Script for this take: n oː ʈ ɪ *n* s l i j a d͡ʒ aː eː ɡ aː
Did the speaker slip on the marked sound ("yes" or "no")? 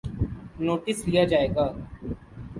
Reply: yes